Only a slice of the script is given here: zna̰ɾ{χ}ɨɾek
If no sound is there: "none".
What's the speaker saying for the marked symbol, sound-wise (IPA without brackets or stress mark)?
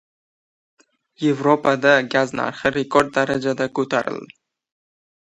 χ